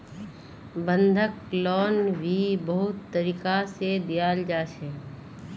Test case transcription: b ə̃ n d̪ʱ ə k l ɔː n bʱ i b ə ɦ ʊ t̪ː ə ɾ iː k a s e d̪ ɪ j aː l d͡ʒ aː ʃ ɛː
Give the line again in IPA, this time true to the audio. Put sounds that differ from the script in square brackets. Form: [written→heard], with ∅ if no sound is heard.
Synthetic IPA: b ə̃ n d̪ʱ ə k l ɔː n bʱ i b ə ɦ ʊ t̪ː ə ɾ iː k a s e d̪ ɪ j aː l d͡ʒ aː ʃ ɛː